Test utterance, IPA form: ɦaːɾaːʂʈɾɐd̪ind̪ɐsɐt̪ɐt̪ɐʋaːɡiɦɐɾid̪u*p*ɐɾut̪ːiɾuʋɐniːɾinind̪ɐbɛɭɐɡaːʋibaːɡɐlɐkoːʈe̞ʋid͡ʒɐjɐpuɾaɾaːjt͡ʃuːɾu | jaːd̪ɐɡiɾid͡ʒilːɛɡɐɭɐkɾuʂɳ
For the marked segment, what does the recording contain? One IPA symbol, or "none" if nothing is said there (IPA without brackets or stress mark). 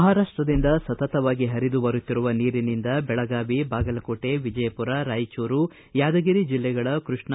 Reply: b